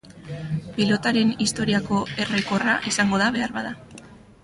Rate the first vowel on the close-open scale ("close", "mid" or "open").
close